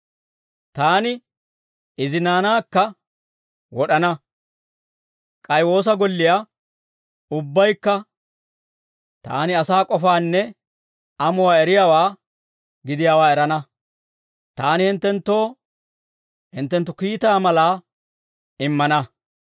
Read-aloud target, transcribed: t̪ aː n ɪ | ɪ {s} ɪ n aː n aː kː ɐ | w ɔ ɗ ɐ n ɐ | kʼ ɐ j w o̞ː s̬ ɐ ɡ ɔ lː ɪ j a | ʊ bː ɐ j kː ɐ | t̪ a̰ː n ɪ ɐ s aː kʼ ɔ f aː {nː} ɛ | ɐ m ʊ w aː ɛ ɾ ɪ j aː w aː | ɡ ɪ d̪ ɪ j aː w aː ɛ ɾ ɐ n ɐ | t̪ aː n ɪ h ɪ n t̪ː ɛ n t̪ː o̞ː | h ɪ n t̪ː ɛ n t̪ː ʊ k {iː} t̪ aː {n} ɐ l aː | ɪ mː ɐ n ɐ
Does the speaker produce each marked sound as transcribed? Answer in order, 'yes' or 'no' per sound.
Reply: no, yes, yes, no

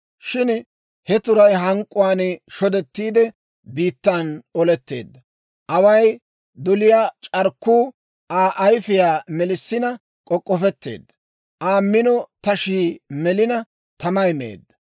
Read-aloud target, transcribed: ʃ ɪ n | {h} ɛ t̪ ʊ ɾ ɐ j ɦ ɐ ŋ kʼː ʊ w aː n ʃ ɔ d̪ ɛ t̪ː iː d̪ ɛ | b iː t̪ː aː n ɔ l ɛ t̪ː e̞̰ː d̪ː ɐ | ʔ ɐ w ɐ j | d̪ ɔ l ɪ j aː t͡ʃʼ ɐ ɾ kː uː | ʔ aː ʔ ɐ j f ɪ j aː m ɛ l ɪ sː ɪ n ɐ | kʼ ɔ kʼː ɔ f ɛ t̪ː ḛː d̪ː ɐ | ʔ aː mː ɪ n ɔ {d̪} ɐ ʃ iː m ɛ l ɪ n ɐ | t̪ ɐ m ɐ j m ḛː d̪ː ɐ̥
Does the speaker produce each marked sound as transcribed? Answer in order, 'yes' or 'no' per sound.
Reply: yes, no

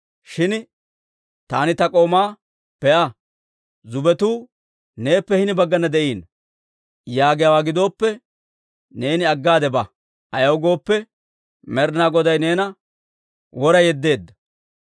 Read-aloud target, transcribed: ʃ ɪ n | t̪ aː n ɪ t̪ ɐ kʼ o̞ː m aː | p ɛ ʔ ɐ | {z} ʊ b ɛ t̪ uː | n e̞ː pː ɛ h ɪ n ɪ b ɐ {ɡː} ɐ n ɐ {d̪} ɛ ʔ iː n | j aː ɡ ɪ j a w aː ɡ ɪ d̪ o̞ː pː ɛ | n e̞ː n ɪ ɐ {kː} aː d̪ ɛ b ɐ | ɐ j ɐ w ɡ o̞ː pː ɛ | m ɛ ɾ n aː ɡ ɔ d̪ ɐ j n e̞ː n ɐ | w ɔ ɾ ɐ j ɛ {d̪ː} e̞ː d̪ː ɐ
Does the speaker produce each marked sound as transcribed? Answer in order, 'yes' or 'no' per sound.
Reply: yes, yes, yes, no, yes

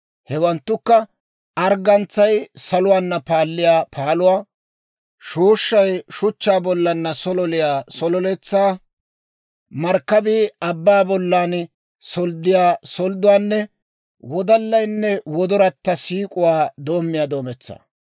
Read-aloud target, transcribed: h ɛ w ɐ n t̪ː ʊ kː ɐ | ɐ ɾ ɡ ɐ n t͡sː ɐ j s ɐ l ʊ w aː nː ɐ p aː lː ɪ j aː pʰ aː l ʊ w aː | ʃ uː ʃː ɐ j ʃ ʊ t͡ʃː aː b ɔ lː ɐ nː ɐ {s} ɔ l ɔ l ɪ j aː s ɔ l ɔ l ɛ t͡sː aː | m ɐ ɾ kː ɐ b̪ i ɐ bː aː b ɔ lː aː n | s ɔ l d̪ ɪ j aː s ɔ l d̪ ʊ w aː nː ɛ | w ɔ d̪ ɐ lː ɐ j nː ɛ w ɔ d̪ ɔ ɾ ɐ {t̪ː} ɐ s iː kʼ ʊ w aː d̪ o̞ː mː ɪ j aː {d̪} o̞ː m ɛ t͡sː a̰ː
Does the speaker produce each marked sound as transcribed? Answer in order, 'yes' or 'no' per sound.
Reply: yes, yes, yes

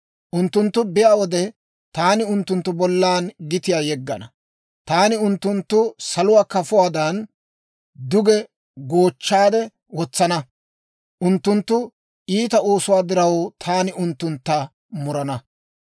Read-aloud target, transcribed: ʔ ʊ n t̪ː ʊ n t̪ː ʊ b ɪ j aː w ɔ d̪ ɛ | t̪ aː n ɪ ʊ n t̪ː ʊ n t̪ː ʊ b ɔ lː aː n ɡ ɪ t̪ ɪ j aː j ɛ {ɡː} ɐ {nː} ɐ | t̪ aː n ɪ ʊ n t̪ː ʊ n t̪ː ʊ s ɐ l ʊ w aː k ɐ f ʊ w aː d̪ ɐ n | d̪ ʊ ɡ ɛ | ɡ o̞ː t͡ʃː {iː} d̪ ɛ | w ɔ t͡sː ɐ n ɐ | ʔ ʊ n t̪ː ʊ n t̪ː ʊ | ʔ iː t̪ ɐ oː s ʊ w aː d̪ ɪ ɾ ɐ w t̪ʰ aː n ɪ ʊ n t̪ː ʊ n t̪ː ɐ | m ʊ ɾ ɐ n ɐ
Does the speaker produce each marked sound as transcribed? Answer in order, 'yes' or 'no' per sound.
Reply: yes, no, no

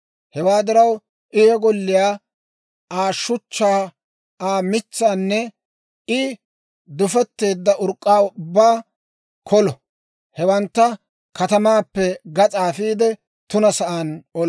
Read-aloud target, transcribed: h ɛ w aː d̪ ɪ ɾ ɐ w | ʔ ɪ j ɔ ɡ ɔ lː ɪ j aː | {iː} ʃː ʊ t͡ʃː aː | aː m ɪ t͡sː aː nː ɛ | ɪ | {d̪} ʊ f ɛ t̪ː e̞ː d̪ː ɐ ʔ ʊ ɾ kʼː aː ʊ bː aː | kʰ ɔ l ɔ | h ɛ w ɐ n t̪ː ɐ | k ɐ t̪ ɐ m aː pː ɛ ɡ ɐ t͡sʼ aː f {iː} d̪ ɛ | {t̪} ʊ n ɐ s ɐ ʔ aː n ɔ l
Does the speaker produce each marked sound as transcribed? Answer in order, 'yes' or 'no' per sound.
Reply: no, yes, yes, yes

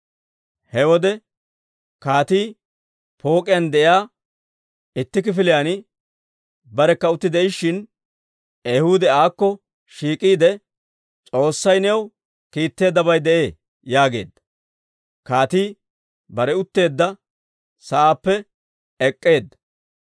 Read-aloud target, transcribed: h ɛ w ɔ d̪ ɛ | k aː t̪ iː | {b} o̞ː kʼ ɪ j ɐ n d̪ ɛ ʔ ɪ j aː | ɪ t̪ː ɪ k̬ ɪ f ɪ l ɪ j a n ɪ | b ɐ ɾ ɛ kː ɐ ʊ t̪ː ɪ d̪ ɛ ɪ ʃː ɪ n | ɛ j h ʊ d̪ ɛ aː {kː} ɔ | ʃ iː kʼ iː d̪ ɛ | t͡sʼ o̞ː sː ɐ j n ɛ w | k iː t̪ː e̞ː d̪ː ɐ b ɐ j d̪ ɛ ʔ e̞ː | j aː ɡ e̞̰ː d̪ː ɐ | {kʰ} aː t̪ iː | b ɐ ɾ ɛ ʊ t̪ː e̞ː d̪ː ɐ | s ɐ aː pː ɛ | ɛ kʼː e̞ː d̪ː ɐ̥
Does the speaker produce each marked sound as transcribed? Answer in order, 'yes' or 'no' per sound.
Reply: no, yes, no

